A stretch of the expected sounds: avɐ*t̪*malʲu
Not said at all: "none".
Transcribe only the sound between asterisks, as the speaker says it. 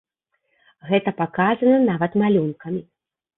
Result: t̪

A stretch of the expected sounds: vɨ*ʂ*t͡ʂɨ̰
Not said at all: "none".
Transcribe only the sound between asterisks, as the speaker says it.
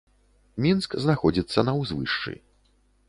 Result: ʂ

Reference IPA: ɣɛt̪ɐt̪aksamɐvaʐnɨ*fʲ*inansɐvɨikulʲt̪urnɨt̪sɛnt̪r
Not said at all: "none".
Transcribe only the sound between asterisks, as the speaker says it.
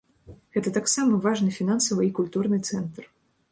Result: fʲ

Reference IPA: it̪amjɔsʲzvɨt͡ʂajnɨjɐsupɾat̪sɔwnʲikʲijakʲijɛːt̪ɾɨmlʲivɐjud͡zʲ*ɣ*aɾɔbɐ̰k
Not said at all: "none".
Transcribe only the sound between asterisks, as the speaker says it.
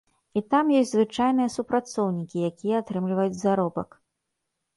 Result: z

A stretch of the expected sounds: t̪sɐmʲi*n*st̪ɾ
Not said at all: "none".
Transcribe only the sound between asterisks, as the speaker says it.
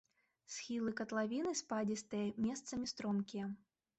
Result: none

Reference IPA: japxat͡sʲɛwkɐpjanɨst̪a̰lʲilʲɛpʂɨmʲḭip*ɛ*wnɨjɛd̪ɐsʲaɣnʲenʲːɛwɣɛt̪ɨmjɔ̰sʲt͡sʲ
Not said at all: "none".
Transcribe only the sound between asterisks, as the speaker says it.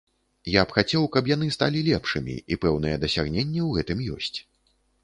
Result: ɛ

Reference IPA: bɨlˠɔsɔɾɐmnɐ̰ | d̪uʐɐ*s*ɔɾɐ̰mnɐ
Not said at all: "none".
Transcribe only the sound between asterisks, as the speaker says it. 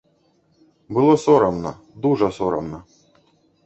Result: s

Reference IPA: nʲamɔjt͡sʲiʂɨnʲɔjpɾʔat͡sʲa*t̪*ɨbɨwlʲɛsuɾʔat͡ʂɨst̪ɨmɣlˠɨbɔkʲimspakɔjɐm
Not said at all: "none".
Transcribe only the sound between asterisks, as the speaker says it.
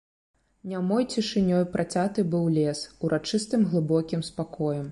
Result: t̪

